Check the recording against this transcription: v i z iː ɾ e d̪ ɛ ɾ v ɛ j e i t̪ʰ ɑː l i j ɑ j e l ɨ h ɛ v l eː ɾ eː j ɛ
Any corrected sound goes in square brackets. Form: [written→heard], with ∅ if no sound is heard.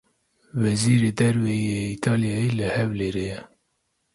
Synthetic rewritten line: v [i→ɛ] z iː ɾ e d̪ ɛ ɾ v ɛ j e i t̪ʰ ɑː l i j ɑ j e l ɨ h ɛ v l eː ɾ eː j ɛ